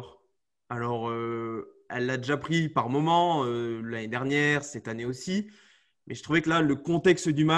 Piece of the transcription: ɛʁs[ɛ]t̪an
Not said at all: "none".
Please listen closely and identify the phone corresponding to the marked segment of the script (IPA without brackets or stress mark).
ɛ